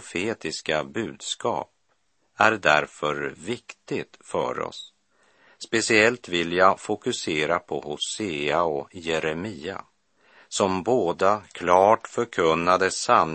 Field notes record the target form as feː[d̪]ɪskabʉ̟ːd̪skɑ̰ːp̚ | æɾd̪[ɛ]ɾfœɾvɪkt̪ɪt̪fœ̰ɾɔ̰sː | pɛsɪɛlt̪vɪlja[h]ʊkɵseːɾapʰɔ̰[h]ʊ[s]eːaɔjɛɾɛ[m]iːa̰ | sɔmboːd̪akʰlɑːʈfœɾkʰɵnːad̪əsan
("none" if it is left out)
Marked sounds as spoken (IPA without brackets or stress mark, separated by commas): t̪, æ, f, h, s, m